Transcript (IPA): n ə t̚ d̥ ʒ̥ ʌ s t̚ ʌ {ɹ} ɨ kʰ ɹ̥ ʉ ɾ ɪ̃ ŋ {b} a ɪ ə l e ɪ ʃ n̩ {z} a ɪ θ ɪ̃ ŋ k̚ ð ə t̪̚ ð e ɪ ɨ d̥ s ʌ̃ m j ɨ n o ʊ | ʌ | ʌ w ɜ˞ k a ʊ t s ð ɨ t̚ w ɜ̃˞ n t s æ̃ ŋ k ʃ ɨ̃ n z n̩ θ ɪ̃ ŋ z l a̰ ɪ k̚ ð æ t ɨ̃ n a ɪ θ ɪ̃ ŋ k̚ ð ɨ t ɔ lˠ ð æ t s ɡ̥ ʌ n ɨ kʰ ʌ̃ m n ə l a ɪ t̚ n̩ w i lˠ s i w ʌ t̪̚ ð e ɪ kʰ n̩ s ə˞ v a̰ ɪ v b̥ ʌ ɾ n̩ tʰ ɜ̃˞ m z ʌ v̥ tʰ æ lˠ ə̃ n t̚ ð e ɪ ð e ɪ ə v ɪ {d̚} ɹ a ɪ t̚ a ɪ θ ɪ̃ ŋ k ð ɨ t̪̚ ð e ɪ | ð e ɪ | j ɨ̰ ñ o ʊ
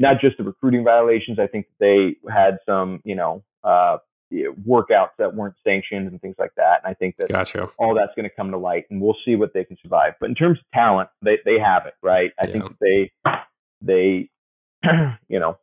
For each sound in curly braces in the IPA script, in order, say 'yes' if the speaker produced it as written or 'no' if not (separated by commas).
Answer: yes, no, yes, no